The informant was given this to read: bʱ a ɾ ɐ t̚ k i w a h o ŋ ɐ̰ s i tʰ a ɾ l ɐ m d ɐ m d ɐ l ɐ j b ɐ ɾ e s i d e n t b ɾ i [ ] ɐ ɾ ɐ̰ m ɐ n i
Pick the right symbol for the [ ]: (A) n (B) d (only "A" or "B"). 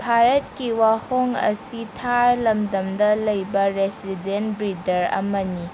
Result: B